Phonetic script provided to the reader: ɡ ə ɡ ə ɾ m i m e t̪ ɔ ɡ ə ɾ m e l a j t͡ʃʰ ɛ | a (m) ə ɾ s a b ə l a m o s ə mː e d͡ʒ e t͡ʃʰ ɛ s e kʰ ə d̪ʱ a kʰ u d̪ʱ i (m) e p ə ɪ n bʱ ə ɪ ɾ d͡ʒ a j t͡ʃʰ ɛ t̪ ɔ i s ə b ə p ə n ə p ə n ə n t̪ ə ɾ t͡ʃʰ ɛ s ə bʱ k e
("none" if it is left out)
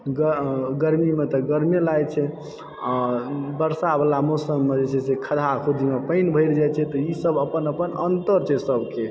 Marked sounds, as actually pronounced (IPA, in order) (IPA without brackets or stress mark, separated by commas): b, m